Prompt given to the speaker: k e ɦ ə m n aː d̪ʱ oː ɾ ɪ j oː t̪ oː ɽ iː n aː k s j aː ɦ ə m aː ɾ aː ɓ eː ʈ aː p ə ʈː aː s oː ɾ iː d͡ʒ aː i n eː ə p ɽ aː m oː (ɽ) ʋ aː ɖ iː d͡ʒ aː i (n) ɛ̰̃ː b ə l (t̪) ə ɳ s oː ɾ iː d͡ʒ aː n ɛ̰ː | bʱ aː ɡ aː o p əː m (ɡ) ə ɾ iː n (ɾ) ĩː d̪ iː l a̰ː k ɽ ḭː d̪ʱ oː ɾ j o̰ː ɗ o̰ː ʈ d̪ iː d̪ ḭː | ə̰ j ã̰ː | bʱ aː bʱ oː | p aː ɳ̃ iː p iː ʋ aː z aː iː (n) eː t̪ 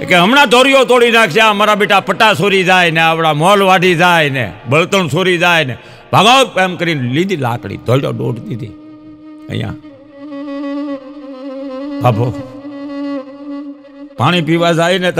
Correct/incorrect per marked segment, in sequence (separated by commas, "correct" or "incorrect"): incorrect, correct, correct, incorrect, incorrect, correct